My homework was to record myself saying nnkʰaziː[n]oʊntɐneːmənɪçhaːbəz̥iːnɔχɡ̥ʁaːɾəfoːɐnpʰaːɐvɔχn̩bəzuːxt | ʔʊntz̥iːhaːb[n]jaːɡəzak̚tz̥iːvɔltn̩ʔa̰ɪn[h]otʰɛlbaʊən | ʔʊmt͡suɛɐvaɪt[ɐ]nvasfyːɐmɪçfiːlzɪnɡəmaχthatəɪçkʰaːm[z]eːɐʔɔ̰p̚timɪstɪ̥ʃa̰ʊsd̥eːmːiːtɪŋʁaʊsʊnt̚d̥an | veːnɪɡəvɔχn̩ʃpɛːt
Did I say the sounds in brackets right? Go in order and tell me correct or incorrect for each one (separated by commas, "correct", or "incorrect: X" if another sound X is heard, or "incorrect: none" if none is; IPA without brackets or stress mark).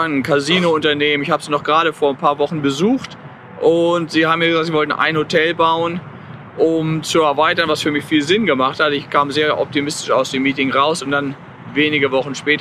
correct, incorrect: m, correct, correct, correct